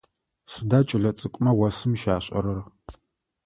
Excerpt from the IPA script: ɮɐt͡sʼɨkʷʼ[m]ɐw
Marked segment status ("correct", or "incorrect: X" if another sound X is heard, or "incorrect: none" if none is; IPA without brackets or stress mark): correct